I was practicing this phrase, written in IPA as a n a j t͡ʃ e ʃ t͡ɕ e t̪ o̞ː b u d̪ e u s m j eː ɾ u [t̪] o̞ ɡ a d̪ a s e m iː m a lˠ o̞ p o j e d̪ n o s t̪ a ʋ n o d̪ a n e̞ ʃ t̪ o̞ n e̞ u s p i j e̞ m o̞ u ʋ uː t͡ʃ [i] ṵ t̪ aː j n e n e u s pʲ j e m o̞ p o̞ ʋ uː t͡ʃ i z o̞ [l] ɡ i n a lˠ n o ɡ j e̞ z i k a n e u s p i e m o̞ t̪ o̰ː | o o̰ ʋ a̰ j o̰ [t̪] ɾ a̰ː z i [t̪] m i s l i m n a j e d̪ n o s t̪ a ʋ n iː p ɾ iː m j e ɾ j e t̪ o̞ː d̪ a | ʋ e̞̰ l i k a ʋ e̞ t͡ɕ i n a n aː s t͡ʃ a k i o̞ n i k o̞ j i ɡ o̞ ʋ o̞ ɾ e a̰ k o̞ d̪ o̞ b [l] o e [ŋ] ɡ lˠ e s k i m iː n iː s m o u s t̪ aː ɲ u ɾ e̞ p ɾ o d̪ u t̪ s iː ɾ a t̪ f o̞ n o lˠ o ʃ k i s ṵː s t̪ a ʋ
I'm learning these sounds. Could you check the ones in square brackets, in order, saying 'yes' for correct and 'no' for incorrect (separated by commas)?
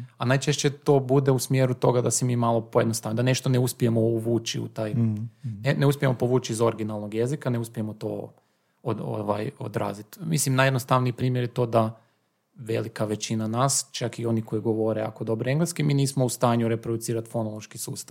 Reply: yes, yes, no, no, yes, no, yes